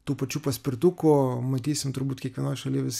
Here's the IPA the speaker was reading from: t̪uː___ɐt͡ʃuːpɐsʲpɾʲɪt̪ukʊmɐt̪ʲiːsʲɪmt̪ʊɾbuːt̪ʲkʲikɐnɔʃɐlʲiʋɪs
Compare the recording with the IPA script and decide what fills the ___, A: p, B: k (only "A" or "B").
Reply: A